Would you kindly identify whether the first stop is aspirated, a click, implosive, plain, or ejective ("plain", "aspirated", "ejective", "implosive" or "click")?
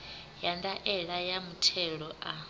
plain